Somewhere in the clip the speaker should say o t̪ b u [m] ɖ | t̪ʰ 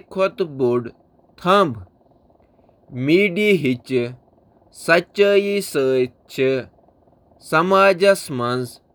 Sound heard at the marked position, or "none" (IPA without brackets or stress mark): none